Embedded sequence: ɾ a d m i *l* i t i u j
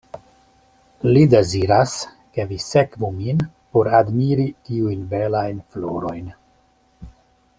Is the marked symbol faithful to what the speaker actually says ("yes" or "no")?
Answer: no